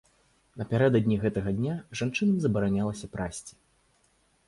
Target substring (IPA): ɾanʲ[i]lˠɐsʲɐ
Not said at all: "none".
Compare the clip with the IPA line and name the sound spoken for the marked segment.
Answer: a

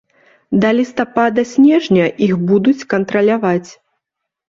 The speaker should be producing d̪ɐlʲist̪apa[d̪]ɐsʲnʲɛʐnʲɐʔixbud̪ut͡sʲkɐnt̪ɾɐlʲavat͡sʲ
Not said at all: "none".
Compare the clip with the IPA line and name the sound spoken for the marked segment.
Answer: d̪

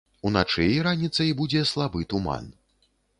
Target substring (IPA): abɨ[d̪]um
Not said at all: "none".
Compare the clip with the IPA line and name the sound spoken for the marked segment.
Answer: t̪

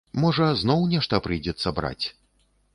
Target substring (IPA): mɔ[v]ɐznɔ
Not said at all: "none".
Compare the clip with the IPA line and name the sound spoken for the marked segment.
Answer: ʐ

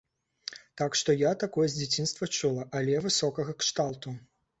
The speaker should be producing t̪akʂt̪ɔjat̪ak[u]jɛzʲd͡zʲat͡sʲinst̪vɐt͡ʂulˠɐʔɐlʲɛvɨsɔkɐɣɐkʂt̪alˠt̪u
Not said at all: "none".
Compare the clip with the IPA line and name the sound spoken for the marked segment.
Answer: ɔ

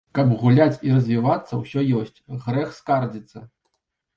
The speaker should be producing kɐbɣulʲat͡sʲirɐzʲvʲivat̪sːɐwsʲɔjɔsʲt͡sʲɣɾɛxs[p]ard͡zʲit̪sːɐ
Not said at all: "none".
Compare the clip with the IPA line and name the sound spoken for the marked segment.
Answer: k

